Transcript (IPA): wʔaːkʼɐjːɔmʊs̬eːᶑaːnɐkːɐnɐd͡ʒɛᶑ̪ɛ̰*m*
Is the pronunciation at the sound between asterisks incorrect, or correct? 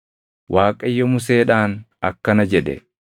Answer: incorrect